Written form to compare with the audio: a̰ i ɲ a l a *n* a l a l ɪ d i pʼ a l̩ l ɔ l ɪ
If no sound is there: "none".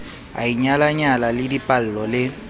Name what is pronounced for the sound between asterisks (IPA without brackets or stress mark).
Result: ɲ